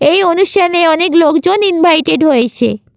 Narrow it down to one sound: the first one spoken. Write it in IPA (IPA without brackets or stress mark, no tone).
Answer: e